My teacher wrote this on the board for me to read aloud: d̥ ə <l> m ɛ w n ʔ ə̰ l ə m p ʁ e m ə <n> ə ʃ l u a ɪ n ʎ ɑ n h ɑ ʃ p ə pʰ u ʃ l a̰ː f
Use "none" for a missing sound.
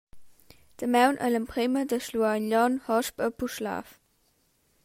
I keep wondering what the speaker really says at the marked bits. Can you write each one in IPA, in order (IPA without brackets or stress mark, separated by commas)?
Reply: none, d